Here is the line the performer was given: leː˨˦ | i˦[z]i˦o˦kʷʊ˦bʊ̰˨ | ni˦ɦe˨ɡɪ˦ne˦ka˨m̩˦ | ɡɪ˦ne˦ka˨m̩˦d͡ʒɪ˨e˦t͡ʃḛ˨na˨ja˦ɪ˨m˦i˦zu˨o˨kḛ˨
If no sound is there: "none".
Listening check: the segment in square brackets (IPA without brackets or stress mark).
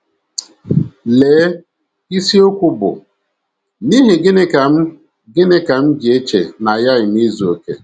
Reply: s